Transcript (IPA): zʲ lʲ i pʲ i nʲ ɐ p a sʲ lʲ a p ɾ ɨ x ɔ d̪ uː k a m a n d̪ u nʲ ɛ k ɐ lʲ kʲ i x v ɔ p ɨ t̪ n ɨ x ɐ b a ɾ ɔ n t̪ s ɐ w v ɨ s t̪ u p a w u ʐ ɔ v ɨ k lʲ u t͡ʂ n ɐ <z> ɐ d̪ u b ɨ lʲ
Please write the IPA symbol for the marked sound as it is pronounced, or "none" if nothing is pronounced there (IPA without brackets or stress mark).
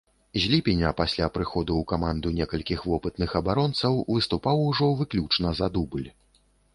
z